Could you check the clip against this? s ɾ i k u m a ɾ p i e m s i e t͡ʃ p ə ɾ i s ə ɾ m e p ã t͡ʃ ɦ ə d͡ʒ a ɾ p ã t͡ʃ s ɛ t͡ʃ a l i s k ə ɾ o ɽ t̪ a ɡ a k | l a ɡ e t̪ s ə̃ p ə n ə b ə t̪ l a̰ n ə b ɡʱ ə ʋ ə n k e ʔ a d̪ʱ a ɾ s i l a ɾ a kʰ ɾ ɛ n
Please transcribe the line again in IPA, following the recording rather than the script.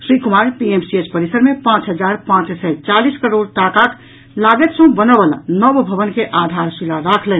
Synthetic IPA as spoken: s ɾ i k u m a ɾ p i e m s i e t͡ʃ p ə ɾ i s ə ɾ m e p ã t͡ʃ ɦ ə d͡ʒ a ɾ p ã t͡ʃ s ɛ t͡ʃ a l i s k ə ɾ o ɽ t̪ a k a k | l a ɡ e t̪ s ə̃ b ə n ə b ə l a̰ n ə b bʱ ə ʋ ə n k e ʔ a d̪ʱ a ɾ s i l a ɾ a kʰ l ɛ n